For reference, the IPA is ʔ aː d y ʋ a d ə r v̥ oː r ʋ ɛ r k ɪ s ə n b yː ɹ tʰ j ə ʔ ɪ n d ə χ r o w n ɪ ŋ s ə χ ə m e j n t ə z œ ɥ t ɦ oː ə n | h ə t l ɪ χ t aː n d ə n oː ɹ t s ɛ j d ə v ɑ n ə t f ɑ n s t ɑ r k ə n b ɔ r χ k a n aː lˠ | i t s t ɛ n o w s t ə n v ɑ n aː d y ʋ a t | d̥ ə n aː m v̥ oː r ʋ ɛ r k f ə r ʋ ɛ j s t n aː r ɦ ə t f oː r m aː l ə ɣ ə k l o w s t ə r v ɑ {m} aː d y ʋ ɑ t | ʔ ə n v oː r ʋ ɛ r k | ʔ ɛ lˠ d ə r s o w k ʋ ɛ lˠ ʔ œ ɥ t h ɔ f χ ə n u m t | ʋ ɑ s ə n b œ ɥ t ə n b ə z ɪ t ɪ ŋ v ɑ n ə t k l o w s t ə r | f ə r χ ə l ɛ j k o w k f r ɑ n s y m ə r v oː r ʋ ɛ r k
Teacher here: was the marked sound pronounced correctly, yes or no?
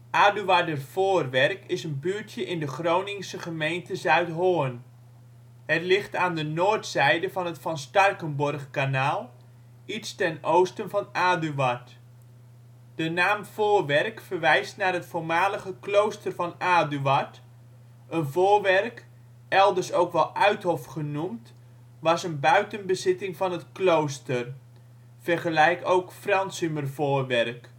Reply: no